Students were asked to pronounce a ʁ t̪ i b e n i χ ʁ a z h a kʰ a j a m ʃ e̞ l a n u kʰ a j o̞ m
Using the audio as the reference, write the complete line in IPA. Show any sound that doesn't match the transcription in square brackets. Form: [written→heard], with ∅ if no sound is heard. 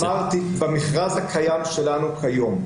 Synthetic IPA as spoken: a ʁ t̪ i b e [n→m] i χ ʁ a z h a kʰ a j a m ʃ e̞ l a n u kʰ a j o̞ m